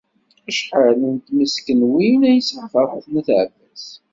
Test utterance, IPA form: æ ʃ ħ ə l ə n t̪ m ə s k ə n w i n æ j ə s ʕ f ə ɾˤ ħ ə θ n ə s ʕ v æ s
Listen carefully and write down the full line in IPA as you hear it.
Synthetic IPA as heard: æ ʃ ħ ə l ə n t̪ m ə s k ə n w i n æ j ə s ʕ f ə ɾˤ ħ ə θ n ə θ ʕ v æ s